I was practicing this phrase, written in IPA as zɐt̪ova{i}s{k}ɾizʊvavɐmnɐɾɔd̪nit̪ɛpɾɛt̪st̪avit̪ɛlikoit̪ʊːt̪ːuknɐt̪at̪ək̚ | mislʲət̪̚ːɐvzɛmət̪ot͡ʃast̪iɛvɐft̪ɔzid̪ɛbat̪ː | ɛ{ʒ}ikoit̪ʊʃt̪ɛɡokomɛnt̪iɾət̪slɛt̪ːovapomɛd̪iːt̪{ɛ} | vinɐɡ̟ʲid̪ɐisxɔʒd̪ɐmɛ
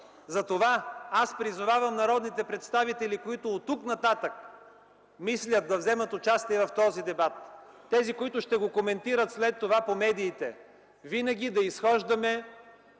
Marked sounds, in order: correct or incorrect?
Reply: incorrect, incorrect, incorrect, correct

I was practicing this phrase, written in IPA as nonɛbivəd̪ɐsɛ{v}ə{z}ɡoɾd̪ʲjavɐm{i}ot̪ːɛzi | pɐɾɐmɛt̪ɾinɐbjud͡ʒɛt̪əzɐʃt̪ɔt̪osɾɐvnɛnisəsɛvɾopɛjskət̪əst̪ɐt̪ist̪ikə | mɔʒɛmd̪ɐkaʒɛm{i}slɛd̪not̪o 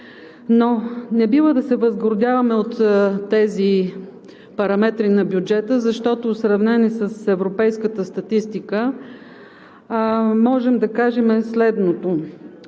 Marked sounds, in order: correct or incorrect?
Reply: correct, correct, incorrect, incorrect

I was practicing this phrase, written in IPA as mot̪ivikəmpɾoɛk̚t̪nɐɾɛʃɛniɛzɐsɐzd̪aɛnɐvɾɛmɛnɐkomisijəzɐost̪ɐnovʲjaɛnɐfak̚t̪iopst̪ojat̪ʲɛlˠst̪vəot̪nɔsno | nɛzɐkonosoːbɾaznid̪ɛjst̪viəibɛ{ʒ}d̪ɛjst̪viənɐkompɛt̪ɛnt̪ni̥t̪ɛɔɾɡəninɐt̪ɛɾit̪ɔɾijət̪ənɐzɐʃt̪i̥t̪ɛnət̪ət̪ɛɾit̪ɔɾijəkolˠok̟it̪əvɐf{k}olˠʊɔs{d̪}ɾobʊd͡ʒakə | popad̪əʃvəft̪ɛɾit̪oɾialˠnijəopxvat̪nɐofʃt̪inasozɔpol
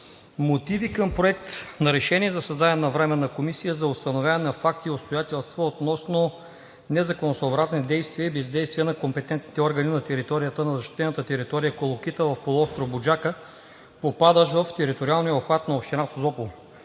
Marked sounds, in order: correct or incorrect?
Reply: incorrect, incorrect, incorrect

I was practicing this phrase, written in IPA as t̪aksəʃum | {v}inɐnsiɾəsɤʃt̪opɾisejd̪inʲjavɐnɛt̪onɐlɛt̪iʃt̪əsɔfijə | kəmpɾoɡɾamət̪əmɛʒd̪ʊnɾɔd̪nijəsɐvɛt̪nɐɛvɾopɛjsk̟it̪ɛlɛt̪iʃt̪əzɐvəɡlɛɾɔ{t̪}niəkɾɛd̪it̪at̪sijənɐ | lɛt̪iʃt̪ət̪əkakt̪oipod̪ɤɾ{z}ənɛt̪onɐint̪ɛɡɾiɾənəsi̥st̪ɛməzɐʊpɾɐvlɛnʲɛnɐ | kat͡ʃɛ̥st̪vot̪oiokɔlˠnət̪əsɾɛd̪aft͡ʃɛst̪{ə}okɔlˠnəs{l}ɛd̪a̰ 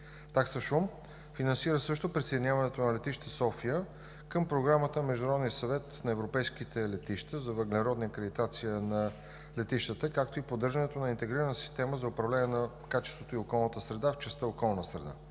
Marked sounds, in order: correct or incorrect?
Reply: incorrect, incorrect, incorrect, correct, incorrect

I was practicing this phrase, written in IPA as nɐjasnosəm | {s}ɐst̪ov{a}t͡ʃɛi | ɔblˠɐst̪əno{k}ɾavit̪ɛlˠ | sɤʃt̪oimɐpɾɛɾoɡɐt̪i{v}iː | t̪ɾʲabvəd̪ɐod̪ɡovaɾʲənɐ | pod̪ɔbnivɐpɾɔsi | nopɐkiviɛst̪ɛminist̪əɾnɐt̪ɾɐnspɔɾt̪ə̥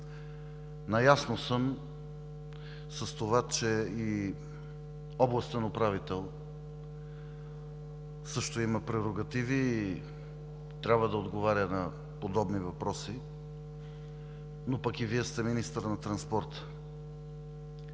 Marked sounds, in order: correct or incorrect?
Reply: correct, correct, incorrect, correct

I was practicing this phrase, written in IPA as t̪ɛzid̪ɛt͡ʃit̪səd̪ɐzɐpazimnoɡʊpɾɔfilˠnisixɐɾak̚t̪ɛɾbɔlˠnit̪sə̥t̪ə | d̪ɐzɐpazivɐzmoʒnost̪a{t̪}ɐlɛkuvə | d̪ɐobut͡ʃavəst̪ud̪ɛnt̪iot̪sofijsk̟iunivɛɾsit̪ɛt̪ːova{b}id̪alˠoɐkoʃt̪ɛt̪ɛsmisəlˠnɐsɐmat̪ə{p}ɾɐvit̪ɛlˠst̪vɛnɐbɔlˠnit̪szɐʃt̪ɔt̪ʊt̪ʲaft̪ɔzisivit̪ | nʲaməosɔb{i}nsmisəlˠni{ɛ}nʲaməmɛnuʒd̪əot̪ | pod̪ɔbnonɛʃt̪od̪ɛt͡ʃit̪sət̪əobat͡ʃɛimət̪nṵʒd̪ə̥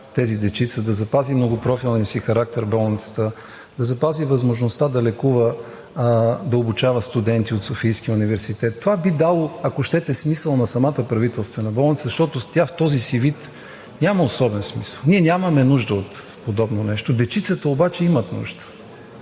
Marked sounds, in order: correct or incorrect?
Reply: incorrect, correct, correct, incorrect, correct

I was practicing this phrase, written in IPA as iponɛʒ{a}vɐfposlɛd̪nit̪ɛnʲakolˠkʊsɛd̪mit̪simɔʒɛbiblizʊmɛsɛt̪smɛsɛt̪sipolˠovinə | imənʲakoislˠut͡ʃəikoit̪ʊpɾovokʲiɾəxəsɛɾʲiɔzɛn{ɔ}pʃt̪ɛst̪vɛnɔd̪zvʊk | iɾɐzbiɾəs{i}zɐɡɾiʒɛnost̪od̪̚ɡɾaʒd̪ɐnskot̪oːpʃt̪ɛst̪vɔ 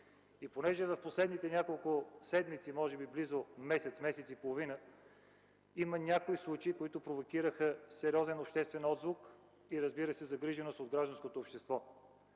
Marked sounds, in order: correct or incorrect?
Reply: incorrect, incorrect, incorrect

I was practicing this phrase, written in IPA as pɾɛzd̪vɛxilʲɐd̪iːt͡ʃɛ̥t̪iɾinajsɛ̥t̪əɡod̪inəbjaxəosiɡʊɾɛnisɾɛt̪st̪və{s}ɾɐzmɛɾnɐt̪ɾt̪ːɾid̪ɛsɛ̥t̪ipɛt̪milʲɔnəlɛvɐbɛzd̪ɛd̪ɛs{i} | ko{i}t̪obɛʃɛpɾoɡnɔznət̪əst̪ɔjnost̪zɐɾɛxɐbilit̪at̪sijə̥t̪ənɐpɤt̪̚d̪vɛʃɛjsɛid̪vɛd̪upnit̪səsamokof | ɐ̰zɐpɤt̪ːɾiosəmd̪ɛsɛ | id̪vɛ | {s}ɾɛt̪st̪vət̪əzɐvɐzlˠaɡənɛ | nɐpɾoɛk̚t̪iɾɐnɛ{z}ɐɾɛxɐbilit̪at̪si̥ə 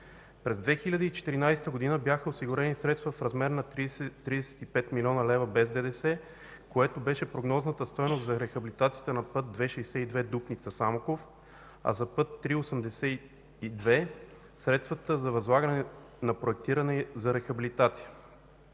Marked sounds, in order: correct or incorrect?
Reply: incorrect, incorrect, incorrect, correct, correct

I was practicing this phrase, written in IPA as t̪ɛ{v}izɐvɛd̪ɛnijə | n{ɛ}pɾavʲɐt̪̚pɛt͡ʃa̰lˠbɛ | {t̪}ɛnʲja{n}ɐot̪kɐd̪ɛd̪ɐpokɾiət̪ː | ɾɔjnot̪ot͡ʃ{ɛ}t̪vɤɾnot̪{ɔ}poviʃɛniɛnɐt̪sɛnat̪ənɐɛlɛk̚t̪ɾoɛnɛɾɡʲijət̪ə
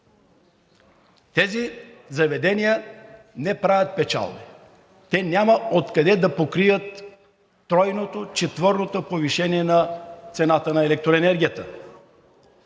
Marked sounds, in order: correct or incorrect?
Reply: incorrect, correct, correct, incorrect, correct, incorrect

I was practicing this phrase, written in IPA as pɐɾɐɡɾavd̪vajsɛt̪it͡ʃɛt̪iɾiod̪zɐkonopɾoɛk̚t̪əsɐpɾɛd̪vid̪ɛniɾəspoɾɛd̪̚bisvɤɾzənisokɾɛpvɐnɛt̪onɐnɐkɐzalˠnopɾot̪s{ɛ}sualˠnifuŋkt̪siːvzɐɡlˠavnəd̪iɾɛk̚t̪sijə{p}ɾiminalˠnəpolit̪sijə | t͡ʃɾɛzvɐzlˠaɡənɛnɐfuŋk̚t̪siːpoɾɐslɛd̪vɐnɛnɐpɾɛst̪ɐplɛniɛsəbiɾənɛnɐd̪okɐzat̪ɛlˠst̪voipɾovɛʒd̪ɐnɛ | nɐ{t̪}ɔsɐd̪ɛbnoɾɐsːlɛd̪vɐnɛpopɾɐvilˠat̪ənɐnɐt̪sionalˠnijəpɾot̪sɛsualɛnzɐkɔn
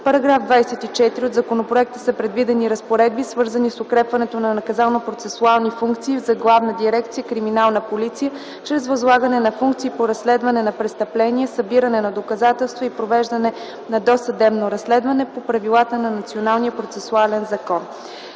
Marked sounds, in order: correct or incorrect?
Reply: correct, incorrect, incorrect

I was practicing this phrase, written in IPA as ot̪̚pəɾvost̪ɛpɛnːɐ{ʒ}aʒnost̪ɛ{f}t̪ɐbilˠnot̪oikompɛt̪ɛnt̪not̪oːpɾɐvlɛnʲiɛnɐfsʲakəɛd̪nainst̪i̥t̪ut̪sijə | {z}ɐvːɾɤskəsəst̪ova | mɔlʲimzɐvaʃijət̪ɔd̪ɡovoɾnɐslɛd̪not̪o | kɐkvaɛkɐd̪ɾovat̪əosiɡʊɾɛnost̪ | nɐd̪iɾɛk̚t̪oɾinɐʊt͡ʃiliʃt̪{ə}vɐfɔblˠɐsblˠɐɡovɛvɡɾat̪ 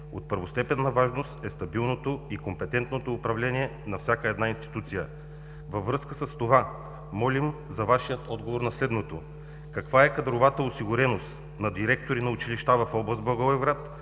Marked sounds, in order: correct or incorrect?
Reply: incorrect, incorrect, incorrect, incorrect

